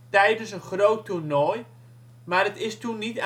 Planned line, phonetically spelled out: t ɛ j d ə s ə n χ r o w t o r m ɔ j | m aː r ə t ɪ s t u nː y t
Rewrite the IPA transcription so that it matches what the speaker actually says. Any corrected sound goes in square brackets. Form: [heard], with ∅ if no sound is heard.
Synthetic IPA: t ɛ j d ə s ə n χ r o w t [u] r [n] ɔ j | m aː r ə t ɪ s t u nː [i] t

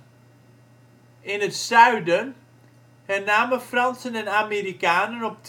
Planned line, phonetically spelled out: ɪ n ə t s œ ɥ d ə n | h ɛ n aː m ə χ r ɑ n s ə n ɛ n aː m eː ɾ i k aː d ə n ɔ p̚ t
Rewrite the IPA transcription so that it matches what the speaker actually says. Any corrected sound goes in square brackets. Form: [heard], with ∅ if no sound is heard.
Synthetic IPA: ɪ n ə t s œ ɥ d ə n | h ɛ n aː m ə [f] r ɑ n s ə n ɛ n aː m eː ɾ i k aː [n] ə n ɔ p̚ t

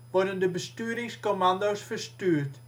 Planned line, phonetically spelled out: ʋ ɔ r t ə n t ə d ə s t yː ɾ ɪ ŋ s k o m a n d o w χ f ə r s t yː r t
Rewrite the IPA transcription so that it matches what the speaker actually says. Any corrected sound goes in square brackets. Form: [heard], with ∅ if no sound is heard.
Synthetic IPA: ʋ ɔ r [d] ə n [d] ə [b] ə s t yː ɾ ɪ ŋ s k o m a n d o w [s] f ə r s t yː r t

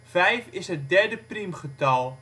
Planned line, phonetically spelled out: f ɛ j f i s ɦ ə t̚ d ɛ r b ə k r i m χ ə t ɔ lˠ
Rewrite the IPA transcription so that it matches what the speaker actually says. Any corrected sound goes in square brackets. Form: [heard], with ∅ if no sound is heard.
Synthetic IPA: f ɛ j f [ɪ] s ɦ ə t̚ d ɛ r [d] ə [p] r i m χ ə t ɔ lˠ

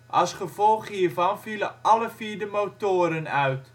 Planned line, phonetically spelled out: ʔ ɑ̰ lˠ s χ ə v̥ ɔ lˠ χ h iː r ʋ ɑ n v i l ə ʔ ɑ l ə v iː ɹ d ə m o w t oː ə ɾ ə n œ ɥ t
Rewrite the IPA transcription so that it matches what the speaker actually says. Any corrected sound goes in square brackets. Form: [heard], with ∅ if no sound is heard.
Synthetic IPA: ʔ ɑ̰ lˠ s χ ə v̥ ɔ lˠ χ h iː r [v] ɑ n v i l ə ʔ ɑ l ə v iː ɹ d ə m o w t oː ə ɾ ə n œ ɥ t

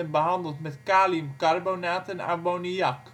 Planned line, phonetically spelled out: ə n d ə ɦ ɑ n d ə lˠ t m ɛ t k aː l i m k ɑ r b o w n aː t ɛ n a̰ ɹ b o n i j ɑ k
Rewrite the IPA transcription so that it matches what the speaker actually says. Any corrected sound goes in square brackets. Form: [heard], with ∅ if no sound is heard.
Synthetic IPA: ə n [b] ə ɦ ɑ n d ə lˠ t m ɛ t k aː l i m k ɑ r b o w n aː t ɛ n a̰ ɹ b o n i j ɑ k

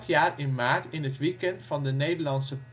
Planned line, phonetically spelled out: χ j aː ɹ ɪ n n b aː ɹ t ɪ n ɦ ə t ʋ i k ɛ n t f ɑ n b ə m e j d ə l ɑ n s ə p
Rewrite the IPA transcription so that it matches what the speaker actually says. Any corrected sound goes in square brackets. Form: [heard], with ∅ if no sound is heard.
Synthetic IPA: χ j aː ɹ ɪ n n [m] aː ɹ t ɪ n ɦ ə t ʋ i k ɛ n t f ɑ n [d] ə [n] e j d ə l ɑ n s ə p

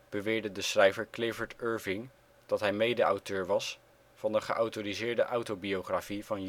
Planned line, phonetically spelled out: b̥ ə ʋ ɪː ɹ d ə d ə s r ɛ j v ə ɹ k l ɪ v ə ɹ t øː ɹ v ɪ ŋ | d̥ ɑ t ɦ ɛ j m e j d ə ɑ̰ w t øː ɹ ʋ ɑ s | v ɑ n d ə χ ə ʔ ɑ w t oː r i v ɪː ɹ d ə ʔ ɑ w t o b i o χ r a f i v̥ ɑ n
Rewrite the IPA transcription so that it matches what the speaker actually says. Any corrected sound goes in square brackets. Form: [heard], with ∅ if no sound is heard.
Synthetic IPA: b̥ ə ʋ ɪː ɹ d ə d ə s r ɛ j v ə ɹ k l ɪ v ə ɹ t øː ɹ v ɪ ŋ | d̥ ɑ t ɦ ɛ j m e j d ə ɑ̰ w t øː ɹ ʋ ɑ s | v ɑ n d ə χ ə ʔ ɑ w t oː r i [z] ɪː ɹ d ə ʔ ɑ w t o b i o χ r a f i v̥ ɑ n

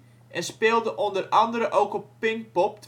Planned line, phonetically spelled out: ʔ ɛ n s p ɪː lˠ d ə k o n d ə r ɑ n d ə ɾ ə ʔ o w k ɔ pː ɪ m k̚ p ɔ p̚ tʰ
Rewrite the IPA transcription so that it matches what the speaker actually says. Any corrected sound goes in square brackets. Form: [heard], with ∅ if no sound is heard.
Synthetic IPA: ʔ ɛ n s p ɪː lˠ d ə [ʔ] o n d ə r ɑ n d ə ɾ ə ʔ o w k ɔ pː ɪ [ŋ] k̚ p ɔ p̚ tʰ

